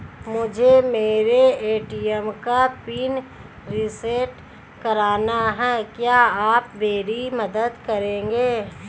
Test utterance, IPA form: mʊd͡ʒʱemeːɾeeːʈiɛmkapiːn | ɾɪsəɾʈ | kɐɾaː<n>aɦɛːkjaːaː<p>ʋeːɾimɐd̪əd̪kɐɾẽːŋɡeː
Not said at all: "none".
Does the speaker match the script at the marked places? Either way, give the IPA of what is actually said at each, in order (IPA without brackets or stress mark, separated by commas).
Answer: n, p